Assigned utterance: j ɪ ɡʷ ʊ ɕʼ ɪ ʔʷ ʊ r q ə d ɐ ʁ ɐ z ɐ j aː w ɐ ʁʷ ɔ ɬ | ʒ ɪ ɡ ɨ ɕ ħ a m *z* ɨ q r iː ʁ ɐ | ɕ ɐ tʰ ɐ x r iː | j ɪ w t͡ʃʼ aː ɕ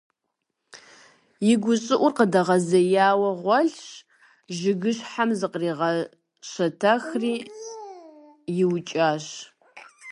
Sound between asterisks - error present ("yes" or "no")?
no